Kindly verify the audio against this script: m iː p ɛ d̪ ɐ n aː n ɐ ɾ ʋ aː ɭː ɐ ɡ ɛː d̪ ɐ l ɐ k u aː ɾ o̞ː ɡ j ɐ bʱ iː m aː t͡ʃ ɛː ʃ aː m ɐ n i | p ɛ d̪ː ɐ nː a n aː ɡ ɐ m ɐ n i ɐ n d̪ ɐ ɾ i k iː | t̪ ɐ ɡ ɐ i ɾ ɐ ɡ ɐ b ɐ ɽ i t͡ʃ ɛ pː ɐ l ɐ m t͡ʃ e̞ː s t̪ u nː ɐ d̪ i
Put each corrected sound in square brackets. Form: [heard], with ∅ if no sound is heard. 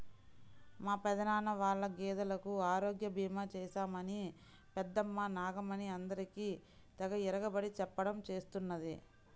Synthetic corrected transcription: m [aː] p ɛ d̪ ɐ n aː n ɐ [∅] ʋ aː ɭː ɐ ɡ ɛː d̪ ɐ l ɐ k u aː ɾ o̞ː ɡ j ɐ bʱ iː m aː t͡ʃ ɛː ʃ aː m ɐ n i | p ɛ d̪ː ɐ [mː] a n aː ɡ ɐ m ɐ n i ɐ n d̪ ɐ ɾ i k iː | t̪ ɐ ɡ ɐ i ɾ ɐ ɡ ɐ b ɐ ɽ i t͡ʃ ɛ pː ɐ [ɽ] ɐ m t͡ʃ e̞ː s t̪ u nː ɐ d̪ i